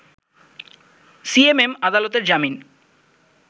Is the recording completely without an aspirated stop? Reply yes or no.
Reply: yes